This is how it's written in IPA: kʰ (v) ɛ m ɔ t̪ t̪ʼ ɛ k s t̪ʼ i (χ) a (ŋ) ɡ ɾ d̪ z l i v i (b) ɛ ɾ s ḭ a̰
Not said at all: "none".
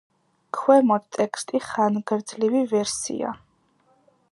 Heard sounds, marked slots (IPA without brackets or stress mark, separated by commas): w, χ, n, v